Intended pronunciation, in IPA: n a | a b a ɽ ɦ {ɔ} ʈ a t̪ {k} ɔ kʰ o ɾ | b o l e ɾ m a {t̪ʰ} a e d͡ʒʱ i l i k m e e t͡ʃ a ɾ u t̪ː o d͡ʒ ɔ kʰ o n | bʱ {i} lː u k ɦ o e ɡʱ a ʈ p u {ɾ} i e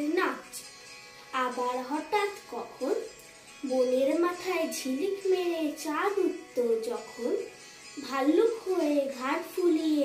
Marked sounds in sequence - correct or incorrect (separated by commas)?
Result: correct, correct, correct, incorrect, incorrect